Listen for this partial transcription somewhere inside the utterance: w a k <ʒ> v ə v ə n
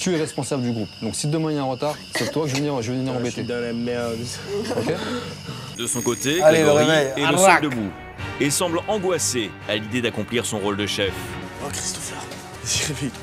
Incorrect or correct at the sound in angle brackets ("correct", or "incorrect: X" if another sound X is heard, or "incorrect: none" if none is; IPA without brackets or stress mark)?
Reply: correct